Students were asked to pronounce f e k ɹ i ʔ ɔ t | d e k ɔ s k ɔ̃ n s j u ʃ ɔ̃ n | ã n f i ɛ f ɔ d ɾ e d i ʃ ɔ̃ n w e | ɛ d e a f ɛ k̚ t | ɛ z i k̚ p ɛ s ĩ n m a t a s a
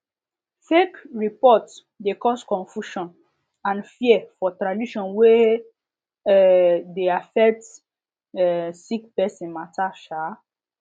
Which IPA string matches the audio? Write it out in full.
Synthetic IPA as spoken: f e k ɹ i p ɔ t | d e k ɔ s k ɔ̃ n f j u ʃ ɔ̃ n | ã n f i ɛ f ɔ t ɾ a d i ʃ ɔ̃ n w e | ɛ d e a f ɛ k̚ t | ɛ s i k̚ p ɛ s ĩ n m a t a ʃ a